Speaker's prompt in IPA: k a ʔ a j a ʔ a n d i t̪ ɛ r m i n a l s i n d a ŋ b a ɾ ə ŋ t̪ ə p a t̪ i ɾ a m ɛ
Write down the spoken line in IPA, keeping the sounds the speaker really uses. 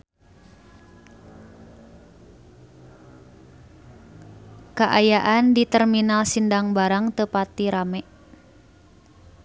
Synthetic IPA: k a ʔ a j a ʔ a n d i t̪ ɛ r m i n a l s i n d a ŋ b a ɾ a ŋ t̪ ə p a t̪ i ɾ a m ɛ